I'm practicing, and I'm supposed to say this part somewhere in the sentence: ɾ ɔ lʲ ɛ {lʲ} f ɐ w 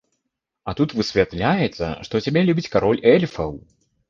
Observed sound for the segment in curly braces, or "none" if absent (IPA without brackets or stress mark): lʲ